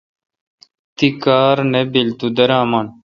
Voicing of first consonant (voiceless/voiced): voiceless